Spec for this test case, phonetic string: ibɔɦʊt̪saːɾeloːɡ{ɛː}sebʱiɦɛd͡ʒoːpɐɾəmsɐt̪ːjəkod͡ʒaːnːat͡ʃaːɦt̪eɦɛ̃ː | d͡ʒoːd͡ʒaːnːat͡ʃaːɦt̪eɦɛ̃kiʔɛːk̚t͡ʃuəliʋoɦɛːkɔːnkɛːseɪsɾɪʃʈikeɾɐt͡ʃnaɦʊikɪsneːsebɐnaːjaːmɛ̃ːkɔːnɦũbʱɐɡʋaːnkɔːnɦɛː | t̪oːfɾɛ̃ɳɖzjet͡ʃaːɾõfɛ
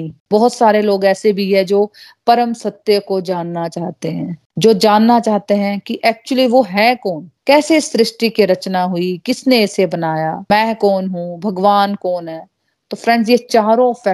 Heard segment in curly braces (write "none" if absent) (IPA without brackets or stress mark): ɛː